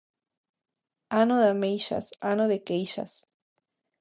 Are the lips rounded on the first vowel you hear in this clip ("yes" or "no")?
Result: no